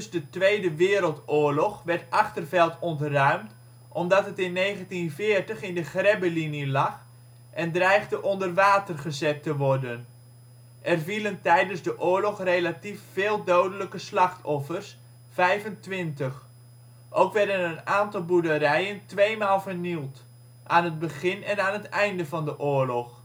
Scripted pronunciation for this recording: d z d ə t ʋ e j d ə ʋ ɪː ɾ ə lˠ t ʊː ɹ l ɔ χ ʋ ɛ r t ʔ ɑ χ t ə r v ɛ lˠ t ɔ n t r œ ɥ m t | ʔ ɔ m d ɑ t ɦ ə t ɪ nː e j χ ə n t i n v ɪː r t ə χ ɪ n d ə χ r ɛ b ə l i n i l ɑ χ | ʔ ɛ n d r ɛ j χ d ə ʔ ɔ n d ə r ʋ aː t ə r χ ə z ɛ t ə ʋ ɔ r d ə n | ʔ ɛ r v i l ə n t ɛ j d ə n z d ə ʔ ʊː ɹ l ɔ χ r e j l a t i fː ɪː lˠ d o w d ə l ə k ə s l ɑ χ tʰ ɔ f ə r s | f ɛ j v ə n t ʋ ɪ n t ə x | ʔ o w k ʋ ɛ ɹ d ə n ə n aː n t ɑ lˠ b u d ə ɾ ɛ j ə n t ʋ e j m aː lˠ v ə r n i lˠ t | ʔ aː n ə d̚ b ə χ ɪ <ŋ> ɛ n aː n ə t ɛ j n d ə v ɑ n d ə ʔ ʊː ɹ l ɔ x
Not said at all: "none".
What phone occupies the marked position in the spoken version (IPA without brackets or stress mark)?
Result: n